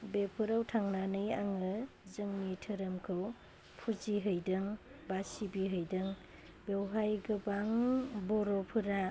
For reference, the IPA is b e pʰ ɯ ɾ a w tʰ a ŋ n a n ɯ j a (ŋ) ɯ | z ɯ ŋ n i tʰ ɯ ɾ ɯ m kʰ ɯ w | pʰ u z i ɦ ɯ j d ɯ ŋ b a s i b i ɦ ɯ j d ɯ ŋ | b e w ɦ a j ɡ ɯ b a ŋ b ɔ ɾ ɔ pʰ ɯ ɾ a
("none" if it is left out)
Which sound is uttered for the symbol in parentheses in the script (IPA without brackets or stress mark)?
ŋ